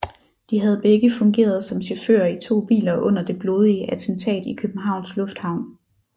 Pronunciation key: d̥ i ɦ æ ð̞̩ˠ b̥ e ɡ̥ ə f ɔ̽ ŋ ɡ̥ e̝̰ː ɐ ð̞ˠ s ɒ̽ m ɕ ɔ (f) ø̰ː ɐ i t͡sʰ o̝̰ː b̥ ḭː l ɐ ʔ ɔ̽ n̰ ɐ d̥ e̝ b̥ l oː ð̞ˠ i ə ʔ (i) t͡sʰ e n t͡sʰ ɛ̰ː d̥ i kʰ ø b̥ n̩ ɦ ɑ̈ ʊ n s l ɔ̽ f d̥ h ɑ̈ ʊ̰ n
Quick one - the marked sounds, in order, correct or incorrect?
correct, incorrect: æ

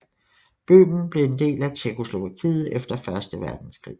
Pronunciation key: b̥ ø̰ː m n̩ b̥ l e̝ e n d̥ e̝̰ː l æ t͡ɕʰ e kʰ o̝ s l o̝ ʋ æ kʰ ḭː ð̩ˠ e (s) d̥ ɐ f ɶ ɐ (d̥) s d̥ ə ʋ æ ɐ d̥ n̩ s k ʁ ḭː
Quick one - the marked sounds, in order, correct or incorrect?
incorrect: f, incorrect: none

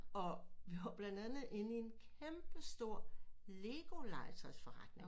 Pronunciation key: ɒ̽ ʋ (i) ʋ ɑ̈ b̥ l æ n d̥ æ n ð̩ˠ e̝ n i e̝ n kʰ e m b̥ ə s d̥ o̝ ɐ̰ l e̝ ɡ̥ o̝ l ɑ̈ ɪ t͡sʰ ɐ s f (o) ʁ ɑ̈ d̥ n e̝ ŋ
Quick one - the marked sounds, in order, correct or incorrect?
correct, incorrect: ɒ

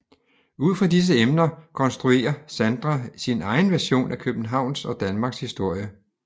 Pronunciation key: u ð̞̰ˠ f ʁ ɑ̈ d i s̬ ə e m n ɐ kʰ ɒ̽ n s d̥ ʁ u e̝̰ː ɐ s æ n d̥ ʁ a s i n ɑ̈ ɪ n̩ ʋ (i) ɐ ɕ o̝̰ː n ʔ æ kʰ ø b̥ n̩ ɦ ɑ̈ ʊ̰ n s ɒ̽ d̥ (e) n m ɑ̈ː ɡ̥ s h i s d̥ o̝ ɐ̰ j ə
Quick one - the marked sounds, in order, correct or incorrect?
incorrect: æ, incorrect: æ

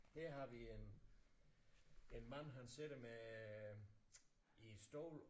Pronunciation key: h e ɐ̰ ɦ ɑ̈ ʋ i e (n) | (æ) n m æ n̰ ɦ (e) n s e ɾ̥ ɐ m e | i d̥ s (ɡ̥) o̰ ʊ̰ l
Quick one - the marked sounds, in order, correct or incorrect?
correct, incorrect: e, incorrect: æ, incorrect: d̥

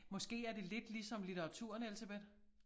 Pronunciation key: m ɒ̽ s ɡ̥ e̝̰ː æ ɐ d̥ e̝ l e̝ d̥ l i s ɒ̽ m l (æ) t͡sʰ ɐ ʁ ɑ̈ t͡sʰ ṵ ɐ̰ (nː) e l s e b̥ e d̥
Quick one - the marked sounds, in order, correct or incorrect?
incorrect: i, incorrect: n

